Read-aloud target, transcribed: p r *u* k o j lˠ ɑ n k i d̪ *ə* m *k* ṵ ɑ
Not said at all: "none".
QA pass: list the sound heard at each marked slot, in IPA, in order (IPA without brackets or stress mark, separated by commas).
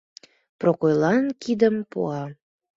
o, ə, p